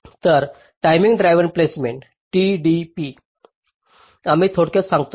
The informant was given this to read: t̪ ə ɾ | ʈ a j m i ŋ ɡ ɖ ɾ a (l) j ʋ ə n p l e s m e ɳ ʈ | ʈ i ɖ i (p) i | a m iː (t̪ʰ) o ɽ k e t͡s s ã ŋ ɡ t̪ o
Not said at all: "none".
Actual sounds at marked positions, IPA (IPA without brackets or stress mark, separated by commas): none, p, t̪ʰ